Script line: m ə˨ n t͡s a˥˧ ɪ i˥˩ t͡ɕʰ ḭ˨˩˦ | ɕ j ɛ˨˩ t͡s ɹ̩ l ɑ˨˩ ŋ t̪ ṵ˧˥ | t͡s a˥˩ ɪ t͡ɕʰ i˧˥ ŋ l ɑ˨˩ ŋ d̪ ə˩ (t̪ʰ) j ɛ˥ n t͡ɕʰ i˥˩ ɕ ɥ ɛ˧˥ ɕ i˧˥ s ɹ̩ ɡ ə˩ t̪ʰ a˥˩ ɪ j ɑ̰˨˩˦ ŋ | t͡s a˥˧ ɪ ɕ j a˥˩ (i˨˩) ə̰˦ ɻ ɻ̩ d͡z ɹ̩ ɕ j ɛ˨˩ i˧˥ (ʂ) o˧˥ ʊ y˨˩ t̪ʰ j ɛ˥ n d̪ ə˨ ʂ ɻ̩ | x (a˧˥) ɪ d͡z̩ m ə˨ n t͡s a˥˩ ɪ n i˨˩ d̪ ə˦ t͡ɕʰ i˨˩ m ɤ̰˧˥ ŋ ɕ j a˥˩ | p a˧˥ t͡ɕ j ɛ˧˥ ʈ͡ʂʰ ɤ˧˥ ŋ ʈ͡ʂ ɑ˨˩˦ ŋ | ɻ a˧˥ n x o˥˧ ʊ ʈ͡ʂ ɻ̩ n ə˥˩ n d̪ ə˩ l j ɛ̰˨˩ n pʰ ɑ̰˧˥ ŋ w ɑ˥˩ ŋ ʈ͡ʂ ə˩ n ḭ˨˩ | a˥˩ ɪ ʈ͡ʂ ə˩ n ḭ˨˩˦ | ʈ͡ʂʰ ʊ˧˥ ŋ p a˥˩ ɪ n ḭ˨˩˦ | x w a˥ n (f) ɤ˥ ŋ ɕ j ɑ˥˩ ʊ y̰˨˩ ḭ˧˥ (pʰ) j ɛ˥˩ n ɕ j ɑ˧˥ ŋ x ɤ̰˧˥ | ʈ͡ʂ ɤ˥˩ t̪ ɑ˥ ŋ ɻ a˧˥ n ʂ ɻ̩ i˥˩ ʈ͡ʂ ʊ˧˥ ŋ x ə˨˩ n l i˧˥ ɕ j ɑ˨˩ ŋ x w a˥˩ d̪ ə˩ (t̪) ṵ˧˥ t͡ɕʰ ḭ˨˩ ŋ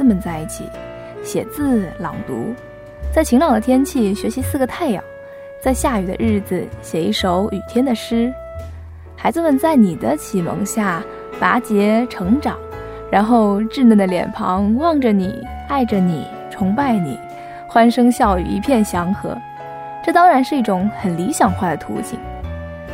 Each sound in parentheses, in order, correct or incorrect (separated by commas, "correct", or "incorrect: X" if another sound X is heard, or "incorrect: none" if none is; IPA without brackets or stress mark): correct, incorrect: y˨˩, correct, correct, incorrect: ʂ, correct, incorrect: t̪ʰ